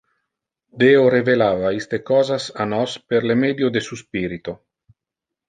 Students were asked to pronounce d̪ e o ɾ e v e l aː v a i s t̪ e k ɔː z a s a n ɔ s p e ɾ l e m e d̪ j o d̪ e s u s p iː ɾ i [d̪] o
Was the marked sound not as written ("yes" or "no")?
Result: yes